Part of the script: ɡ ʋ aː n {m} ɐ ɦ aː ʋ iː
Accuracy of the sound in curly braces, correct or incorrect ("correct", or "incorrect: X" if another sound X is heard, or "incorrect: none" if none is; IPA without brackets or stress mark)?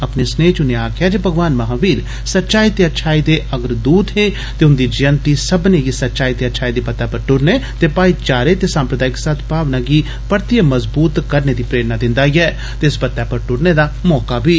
correct